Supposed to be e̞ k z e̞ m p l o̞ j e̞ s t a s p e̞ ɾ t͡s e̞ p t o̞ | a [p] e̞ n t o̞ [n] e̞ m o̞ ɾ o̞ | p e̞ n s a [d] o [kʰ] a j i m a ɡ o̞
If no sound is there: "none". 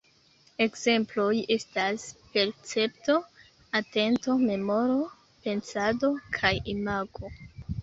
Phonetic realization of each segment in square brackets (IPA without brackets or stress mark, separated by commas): t, m, d, kʰ